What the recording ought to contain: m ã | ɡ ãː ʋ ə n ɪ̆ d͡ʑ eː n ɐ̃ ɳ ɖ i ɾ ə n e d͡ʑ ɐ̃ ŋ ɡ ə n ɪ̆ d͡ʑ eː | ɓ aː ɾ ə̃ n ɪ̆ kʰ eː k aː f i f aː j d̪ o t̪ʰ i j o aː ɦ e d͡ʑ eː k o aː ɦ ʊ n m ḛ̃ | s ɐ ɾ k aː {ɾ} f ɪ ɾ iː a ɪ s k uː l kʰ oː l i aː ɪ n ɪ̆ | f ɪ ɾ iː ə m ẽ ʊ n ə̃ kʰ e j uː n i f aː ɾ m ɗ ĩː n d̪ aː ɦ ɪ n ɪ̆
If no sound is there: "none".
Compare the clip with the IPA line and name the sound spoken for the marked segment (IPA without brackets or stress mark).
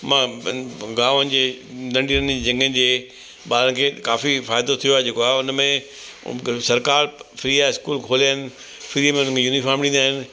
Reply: ɾ